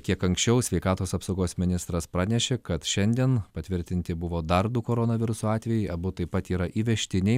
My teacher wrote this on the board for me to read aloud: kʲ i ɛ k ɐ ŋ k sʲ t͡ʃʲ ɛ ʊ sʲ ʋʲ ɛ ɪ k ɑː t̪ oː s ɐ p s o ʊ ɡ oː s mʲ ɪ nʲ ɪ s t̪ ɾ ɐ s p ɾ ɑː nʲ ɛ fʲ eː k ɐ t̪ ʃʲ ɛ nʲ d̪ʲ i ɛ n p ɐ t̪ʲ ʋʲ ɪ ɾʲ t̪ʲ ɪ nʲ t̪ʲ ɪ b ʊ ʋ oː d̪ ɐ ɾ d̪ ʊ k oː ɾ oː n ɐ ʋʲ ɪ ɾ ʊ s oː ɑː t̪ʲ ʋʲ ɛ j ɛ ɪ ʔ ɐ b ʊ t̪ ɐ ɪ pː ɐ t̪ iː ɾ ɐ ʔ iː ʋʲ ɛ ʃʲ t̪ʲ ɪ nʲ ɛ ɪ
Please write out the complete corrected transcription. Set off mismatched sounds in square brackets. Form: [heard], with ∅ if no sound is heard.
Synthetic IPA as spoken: kʲ i ɛ k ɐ ŋ k sʲ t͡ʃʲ ɛ ʊ sʲ ʋʲ ɛ ɪ k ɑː t̪ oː s ɐ p s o ʊ ɡ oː s mʲ ɪ nʲ ɪ s t̪ ɾ ɐ s p ɾ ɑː nʲ ɛ [ʃʲ] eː k ɐ t̪ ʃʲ ɛ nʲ d̪ʲ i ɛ n p ɐ t̪ʲ ʋʲ ɪ ɾʲ t̪ʲ ɪ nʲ t̪ʲ ɪ b ʊ ʋ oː d̪ ɐ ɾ d̪ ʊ k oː ɾ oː n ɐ ʋʲ ɪ ɾ ʊ s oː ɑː t̪ʲ ʋʲ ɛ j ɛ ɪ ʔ ɐ b ʊ t̪ ɐ ɪ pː ɐ t̪ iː ɾ ɐ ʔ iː ʋʲ ɛ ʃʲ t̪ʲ ɪ nʲ ɛ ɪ